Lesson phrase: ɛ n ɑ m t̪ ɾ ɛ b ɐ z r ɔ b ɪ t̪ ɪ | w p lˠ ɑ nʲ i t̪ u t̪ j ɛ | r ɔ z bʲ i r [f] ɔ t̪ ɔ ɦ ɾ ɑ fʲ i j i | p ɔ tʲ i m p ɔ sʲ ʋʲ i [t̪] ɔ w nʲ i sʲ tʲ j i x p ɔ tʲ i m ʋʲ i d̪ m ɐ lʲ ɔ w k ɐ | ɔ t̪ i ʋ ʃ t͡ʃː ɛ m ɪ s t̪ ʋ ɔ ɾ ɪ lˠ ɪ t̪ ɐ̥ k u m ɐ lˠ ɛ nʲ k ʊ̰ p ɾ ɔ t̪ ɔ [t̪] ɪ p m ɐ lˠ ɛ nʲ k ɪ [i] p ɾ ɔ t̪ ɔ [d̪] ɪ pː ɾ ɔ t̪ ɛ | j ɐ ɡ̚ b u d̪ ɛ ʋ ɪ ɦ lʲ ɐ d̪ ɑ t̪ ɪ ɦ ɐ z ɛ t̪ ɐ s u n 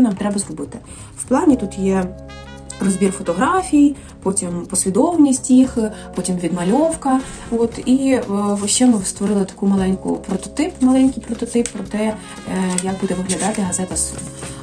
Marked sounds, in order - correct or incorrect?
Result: correct, incorrect: d̪, correct, incorrect: j, incorrect: t̪

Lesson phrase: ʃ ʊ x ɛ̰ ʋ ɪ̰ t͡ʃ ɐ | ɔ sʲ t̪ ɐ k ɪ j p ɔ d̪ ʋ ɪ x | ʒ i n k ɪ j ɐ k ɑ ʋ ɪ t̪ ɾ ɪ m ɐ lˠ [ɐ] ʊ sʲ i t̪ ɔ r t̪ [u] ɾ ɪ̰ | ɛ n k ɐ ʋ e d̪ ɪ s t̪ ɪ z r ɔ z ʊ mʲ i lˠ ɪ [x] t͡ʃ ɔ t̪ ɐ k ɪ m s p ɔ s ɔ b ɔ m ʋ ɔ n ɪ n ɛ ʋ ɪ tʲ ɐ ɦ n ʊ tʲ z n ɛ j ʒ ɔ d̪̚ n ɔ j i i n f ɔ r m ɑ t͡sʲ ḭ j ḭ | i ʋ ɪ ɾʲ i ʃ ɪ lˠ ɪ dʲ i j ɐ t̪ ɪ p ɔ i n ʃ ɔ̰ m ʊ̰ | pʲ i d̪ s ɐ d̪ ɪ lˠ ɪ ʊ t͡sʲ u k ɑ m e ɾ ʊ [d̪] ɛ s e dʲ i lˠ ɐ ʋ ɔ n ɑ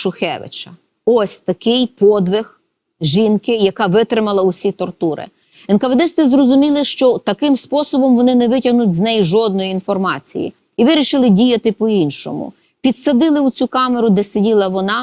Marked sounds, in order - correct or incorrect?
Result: correct, correct, incorrect: ʃ, correct

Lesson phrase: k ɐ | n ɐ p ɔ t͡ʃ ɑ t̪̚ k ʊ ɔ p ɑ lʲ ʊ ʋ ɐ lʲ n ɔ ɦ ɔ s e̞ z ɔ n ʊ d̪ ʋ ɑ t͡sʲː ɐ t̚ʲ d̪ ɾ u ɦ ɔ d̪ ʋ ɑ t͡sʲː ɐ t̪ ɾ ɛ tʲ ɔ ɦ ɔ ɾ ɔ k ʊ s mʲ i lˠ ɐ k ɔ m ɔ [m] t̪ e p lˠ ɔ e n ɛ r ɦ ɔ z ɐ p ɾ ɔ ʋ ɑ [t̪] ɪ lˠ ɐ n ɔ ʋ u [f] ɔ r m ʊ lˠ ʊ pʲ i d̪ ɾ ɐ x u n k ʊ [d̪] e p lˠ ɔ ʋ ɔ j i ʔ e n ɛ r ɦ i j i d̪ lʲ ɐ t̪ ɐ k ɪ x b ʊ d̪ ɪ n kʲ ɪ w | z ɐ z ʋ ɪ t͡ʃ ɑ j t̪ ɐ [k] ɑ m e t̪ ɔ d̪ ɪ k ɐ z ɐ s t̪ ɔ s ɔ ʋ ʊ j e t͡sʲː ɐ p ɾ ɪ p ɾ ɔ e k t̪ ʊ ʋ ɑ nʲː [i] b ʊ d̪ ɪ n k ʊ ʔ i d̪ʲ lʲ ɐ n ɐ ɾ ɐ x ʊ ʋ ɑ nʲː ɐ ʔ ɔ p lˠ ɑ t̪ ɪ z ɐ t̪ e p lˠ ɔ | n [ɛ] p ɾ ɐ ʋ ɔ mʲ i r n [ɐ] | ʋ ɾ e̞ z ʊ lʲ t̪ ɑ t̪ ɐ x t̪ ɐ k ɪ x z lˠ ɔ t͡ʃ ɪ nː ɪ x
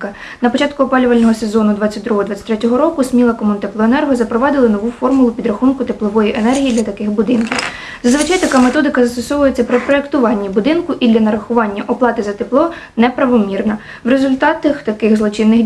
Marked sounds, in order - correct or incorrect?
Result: incorrect: n, incorrect: d̪, correct, incorrect: t̪, correct, correct, correct, correct

